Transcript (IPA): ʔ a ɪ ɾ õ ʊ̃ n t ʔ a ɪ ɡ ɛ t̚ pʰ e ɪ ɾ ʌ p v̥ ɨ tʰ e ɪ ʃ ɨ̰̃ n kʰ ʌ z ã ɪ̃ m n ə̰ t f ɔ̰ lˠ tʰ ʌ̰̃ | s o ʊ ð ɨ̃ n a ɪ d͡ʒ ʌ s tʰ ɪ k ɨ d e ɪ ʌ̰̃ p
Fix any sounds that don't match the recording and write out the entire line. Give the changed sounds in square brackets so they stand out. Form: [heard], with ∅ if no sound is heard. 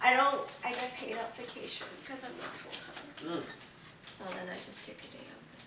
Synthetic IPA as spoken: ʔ a ɪ ɾ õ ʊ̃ n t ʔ a ɪ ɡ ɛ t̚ pʰ e ɪ ɾ ʌ p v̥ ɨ [kʰ] e ɪ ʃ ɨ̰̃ n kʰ ʌ z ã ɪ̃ m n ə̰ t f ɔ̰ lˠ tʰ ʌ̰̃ | s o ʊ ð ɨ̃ n a ɪ d͡ʒ ʌ s tʰ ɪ k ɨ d e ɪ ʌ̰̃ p